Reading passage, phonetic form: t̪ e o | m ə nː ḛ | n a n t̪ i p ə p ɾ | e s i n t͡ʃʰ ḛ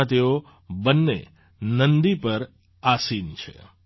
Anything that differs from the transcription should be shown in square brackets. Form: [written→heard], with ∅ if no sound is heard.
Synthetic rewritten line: t̪ e o | [m→b] ə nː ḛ | n [a→ə] n [t̪→d̪] i p ə [p→∅] ɾ | [e→a] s i n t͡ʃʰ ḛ